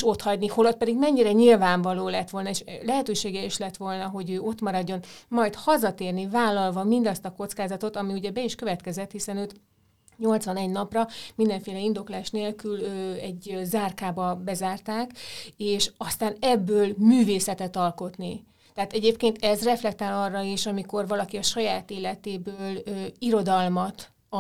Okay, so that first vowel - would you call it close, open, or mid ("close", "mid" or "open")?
mid